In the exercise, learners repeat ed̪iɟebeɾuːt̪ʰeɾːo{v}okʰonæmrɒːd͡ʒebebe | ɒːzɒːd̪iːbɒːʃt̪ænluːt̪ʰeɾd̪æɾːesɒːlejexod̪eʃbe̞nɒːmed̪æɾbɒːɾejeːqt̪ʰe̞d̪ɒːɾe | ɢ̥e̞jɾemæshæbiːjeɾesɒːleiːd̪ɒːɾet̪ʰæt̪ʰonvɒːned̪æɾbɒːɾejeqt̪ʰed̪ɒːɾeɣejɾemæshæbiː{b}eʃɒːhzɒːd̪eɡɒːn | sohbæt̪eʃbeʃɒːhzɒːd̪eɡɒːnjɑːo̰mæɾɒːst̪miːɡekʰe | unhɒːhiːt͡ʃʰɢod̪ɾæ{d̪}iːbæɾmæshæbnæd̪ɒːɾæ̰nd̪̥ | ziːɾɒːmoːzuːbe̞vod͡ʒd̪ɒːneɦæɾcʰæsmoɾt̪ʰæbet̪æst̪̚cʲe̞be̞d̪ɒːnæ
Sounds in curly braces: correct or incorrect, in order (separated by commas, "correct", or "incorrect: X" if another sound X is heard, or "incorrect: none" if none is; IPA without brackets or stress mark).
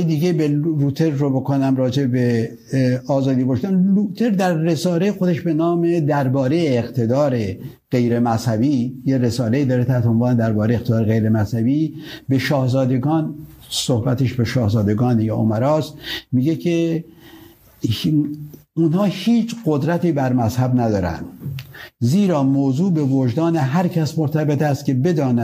incorrect: b, correct, incorrect: t̪